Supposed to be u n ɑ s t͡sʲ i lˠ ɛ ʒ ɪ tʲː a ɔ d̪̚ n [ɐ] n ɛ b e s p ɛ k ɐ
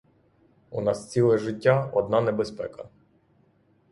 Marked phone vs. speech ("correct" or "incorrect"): incorrect